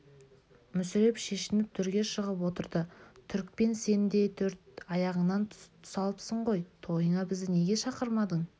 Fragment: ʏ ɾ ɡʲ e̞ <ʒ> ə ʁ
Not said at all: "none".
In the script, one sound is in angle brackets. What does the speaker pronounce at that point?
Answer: ʃ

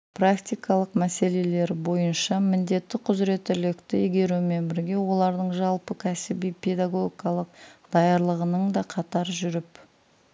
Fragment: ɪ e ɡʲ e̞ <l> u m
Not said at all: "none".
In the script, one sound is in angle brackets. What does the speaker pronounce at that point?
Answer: ɾ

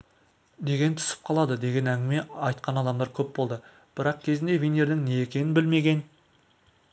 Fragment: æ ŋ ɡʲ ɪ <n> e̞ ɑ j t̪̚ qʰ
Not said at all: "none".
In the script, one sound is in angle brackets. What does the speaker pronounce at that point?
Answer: m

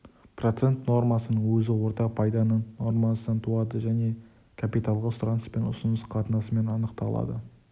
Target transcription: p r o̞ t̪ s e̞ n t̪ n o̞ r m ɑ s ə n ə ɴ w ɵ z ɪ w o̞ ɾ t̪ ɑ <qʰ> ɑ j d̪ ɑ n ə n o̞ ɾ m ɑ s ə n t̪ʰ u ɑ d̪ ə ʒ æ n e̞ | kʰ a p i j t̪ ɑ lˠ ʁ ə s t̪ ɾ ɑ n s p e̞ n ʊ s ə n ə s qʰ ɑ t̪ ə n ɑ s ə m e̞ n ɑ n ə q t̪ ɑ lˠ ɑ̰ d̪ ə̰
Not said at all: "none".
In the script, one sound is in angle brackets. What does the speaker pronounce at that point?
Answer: pʰ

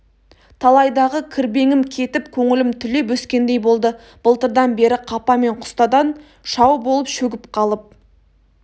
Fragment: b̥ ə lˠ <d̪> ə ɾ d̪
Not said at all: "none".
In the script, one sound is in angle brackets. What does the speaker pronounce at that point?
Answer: t̪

